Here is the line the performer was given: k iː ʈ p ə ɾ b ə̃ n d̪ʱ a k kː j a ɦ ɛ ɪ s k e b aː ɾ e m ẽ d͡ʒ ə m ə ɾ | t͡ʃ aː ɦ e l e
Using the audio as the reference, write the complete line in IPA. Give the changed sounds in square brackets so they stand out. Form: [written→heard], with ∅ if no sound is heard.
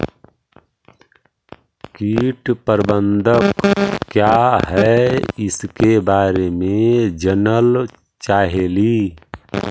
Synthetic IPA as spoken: k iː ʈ p ə ɾ b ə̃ n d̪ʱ [a→ə] k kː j a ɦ ɛ ɪ s k e b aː ɾ e m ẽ d͡ʒ ə [m→n] ə [ɾ→l] | t͡ʃ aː ɦ e l [e→i]